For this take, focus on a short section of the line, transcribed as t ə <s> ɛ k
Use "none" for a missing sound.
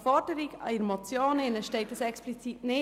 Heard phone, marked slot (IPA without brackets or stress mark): s